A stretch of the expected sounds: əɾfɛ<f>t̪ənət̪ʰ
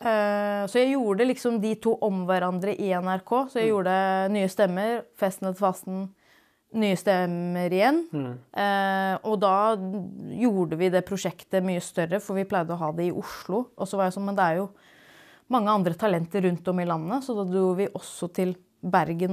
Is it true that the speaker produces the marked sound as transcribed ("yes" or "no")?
no